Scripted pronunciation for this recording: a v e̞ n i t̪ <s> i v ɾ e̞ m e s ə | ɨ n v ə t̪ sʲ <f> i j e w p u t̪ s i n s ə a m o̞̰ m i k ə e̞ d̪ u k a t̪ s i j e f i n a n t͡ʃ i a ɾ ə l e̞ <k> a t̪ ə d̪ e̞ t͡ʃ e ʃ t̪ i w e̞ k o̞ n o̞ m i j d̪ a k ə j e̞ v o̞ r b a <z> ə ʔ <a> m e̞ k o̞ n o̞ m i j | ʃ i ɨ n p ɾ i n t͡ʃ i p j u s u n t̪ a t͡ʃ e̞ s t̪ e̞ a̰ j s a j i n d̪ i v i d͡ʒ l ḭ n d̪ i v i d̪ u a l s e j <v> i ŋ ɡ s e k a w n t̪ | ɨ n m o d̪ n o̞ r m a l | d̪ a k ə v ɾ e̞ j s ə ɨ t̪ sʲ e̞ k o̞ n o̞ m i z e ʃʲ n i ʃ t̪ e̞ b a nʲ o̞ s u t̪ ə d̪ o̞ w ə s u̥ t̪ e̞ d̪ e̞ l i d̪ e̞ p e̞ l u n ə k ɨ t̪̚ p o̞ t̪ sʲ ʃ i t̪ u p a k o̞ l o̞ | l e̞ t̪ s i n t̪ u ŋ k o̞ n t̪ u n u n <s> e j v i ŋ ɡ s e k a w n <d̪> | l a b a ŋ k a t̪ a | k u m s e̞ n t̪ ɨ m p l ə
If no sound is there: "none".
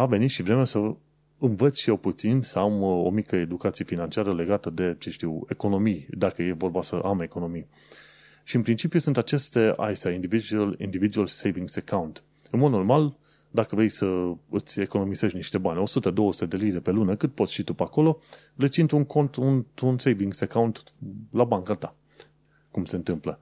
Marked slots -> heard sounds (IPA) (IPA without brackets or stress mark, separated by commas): ʃ, ʃ, ɡ, s, a, v, s, t̪